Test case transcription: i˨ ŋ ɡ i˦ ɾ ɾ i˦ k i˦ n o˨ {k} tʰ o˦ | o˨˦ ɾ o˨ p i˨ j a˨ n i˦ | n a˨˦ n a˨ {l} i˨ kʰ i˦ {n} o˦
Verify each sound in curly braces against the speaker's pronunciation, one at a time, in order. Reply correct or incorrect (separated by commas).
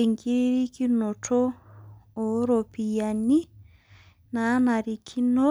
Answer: incorrect, incorrect, correct